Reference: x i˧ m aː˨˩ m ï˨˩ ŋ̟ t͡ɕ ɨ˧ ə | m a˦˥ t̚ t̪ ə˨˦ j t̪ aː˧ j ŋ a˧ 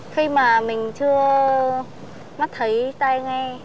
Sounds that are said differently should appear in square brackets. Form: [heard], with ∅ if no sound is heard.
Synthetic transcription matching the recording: x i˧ m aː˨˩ m ï˨˩ ŋ̟ t͡ɕ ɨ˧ ə | m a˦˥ t̚ [t̪ʰ] ə˨˦ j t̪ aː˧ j ŋ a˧

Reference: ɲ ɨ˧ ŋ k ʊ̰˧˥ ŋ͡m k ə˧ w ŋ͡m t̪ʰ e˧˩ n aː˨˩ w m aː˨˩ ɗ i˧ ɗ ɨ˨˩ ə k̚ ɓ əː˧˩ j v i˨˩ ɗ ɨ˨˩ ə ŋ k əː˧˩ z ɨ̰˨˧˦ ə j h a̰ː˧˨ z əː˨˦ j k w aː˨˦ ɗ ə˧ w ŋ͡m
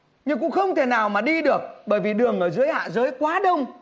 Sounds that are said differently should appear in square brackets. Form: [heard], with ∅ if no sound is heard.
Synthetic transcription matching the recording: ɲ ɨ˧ ŋ k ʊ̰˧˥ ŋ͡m [x] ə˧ w ŋ͡m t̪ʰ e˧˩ n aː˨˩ w m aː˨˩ ɗ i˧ ɗ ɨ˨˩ ə k̚ ɓ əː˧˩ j v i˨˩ ɗ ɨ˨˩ ə ŋ [ʔ] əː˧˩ z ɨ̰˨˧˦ ə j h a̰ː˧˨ z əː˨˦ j k w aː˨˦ ɗ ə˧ w ŋ͡m

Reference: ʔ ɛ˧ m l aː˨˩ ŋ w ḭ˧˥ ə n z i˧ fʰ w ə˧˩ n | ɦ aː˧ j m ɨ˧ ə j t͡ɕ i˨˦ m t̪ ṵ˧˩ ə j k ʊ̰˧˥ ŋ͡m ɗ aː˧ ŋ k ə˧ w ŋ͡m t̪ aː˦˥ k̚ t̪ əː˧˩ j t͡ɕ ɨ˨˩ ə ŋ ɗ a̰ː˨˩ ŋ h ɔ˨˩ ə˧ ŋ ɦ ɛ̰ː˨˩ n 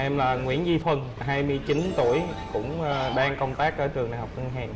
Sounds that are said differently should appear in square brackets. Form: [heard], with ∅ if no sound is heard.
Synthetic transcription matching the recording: ʔ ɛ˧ m l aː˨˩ ŋ w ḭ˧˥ ə n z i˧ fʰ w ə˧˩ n | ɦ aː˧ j m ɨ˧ ə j t͡ɕ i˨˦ [n] t̪ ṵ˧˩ ə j k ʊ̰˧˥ ŋ͡m ɗ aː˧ ŋ k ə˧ w ŋ͡m t̪ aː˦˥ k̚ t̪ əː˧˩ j t͡ɕ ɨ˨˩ ə ŋ ɗ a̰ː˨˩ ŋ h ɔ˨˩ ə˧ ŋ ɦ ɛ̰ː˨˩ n

